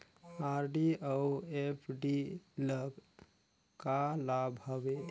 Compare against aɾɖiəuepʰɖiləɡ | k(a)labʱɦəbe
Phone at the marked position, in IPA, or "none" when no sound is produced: a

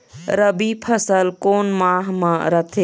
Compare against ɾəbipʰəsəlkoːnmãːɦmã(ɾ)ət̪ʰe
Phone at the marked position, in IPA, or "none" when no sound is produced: ɾ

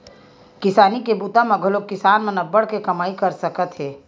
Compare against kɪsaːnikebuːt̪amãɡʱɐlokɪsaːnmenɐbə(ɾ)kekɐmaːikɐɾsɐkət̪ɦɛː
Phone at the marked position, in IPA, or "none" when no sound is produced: ɽ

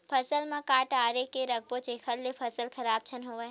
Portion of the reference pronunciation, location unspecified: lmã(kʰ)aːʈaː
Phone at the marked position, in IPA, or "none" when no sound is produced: k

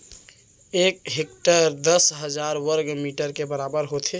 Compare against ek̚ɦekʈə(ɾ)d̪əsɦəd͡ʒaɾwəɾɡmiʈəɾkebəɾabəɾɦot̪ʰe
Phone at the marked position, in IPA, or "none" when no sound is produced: ɾ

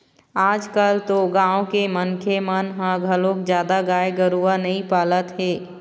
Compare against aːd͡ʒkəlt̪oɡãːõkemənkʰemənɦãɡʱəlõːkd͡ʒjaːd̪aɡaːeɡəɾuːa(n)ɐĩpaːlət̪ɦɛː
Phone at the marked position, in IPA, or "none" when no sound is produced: n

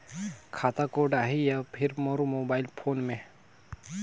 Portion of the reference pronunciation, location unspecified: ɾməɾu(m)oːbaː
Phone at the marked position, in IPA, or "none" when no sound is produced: m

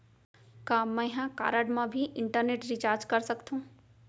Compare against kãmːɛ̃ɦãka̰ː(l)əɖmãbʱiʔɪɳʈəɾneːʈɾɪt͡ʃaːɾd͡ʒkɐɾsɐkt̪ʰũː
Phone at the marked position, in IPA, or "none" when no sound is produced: ɾ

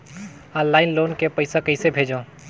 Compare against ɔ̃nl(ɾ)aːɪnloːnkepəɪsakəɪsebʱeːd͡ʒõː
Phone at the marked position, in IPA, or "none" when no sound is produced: l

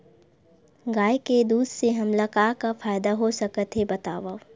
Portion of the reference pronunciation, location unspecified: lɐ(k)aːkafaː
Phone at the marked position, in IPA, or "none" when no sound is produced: k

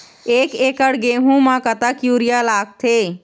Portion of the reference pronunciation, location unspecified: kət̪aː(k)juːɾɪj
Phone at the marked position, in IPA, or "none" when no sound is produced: k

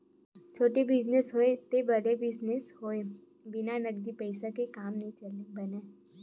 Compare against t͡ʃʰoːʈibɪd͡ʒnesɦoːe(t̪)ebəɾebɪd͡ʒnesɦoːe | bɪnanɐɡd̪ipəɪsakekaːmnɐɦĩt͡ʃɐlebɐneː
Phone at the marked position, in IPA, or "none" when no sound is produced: t̪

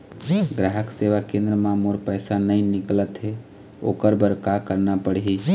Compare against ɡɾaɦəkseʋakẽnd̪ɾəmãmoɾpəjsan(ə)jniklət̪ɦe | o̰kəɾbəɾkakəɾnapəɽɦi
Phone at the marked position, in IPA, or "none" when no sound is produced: ə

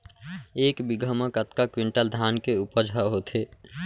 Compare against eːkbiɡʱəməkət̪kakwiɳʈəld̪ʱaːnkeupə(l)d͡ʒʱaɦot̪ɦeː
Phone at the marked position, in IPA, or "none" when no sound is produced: none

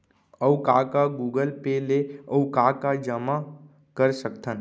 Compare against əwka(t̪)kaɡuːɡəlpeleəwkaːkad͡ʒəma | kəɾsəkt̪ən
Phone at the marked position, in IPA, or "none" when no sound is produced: none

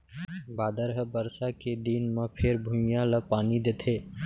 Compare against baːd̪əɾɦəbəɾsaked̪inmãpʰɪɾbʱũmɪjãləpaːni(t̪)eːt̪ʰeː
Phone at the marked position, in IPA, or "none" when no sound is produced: d̪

